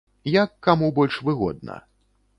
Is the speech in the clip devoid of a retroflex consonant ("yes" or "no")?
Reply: no